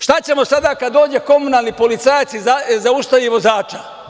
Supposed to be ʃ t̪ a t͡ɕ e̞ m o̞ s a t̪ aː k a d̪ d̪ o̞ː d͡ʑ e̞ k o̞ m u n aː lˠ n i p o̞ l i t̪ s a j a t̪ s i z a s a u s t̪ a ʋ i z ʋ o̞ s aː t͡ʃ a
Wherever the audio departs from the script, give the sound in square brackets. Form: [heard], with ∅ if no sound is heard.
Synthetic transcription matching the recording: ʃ t̪ a t͡ɕ e̞ m o̞ s a [d̪] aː k a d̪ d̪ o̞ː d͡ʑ e̞ k o̞ m u n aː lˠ n i p o̞ l i t̪ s a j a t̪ s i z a [z] a u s t̪ a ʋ i [∅] ʋ o̞ [z] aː t͡ʃ a